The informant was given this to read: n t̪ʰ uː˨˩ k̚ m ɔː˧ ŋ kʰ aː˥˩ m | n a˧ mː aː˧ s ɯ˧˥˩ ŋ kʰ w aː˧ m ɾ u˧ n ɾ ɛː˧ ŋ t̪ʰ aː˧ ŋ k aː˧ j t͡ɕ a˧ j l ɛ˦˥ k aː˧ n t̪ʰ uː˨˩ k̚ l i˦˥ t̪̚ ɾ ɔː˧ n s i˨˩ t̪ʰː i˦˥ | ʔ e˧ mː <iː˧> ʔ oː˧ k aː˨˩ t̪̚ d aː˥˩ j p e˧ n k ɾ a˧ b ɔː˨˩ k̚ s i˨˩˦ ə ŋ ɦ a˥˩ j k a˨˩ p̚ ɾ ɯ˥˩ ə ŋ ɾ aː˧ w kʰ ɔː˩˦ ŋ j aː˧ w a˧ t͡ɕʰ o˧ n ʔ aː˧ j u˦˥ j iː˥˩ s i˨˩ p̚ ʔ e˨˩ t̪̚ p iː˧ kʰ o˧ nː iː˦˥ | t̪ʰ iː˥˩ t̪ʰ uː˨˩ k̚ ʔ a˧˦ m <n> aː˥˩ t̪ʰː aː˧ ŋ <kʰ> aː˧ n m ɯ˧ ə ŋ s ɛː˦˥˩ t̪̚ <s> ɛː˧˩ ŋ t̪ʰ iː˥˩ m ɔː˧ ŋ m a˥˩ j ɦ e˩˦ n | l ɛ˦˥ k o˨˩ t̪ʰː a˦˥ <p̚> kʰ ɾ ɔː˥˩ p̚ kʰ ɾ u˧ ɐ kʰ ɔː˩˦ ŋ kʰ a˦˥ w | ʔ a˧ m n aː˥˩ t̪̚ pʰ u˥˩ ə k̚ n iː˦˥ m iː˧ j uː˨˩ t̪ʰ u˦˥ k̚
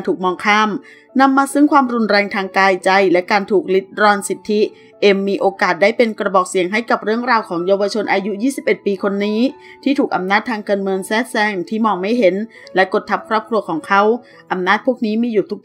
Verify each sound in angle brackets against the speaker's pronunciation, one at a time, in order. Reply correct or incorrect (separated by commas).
correct, correct, incorrect, correct, correct